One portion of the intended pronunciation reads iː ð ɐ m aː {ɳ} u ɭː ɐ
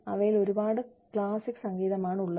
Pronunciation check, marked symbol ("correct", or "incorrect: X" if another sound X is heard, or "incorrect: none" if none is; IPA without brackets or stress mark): correct